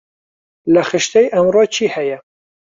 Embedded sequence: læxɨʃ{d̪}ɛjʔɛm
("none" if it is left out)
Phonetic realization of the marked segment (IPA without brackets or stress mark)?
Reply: t̪